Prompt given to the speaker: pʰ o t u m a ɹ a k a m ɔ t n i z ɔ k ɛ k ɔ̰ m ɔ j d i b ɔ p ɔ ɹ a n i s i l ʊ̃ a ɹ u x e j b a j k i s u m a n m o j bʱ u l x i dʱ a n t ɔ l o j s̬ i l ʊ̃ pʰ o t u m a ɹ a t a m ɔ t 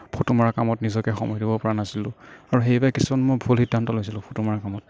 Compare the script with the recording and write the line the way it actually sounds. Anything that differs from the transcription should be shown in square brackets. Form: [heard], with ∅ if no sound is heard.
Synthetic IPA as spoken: pʰ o t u m a ɹ a k a m ɔ t n i z ɔ k ɛ [x] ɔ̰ m ɔ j d i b ɔ p ɔ ɹ a n [a] s i l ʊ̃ a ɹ u x e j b a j k i s u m a n m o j bʱ u l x i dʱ a n t ɔ l o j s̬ i l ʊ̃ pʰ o t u m a ɹ a [k] a m ɔ t

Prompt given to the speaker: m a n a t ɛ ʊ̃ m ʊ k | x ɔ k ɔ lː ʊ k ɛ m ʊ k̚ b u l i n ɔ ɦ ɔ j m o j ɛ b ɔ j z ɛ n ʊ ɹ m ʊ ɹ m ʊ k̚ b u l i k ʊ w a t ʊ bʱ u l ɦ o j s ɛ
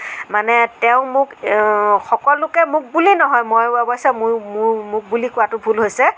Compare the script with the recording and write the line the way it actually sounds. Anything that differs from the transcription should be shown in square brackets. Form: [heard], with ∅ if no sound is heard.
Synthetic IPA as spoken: m a n [ɛ] t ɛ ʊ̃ m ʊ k | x ɔ k ɔ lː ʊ k ɛ m ʊ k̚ b u l i n ɔ ɦ ɔ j m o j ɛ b ɔ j [s] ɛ [m] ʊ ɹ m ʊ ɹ m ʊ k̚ b u l i k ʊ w a t ʊ bʱ u l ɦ o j s ɛ

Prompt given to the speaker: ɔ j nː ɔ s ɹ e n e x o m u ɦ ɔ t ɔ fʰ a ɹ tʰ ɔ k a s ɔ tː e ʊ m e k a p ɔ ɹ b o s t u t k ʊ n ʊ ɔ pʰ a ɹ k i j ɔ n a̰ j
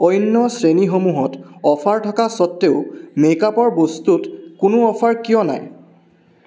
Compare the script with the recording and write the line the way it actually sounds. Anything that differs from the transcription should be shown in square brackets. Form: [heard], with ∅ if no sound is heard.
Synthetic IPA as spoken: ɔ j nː ɔ s ɹ e n [i] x o m u ɦ ɔ t ɔ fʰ a ɹ tʰ ɔ k a s ɔ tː e ʊ m e k a p ɔ ɹ b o s t u t k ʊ n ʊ ɔ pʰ a ɹ k i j ɔ n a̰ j

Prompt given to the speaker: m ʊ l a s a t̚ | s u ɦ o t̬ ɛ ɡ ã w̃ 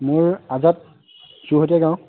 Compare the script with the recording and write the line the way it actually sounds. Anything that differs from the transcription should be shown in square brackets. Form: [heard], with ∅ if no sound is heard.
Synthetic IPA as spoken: m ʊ [ɹ] a [z] a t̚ | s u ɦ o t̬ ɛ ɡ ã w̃

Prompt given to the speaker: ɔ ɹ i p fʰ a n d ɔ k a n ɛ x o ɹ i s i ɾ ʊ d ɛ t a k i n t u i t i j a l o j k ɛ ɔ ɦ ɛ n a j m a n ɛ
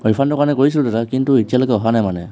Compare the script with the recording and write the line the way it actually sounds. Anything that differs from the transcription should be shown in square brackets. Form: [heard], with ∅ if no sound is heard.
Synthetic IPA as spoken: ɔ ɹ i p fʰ a n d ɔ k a n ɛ [k] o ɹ i s i [l] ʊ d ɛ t a k i n t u i t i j a l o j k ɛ ɔ ɦ [a] n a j m a n ɛ

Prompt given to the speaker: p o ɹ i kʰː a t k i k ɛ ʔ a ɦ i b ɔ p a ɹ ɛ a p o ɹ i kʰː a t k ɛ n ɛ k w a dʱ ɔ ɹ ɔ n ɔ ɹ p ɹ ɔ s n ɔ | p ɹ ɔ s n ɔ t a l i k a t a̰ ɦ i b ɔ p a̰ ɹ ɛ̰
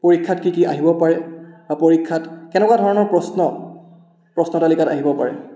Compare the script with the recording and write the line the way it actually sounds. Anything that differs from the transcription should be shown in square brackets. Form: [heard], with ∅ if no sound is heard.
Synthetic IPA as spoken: p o ɹ i kʰː a t k i k [i] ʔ a ɦ i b ɔ p a ɹ ɛ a p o ɹ i kʰː a t k ɛ n ɛ k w a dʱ ɔ ɹ ɔ n ɔ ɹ p ɹ ɔ s n ɔ | p ɹ ɔ s n ɔ t a l i k a t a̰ ɦ i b ɔ p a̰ ɹ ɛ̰

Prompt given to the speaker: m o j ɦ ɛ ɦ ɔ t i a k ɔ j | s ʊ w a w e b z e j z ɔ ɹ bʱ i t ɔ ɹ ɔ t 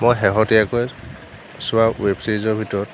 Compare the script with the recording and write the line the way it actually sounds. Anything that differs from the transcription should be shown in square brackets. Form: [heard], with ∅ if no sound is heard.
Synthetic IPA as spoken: m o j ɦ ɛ ɦ ɔ t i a k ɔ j | s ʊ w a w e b [s] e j z ɔ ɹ bʱ i t ɔ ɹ ɔ t

